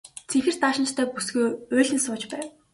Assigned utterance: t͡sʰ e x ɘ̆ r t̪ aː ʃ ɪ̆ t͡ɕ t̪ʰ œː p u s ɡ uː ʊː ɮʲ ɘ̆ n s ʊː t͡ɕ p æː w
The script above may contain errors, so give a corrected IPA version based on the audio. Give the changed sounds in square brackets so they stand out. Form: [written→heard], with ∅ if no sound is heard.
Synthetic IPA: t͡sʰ e x ɘ̆ r t̪ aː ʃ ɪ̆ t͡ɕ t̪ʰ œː p u s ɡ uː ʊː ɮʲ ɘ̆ n s ʊː t͡ɕ p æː w